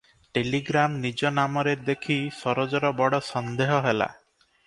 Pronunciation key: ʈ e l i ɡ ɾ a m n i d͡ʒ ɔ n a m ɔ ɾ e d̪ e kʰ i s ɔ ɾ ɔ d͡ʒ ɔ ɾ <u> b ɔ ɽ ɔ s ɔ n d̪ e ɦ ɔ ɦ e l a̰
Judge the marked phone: incorrect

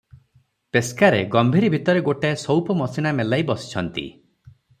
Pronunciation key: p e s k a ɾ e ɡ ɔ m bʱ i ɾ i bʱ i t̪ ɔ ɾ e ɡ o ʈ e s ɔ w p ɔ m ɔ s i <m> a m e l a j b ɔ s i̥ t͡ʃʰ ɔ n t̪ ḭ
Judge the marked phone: incorrect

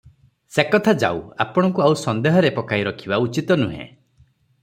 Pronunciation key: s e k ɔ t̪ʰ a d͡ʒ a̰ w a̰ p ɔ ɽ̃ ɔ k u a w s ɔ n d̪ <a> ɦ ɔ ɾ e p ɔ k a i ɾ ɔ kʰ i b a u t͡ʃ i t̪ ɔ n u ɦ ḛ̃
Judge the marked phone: incorrect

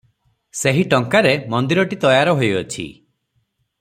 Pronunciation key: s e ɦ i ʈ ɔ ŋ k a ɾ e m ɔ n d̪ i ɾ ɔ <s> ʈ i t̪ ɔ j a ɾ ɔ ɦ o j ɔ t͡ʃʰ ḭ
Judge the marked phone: incorrect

